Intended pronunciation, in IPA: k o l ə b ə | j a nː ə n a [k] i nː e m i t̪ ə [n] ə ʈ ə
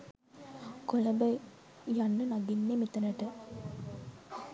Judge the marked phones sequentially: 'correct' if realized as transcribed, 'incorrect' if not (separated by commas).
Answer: incorrect, correct